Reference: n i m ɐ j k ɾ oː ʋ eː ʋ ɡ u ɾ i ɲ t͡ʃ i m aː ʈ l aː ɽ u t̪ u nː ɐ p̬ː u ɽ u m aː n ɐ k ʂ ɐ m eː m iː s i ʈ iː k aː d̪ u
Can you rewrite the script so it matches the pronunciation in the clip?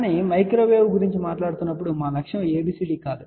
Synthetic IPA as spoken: n i m ɐ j k ɾ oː ʋ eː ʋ ɡ u ɾ i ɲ t͡ʃ i m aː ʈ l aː ɽ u t̪ u nː ɐ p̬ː u ɽ u m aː n ɐ k ʂ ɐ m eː b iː s i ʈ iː k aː d̪ u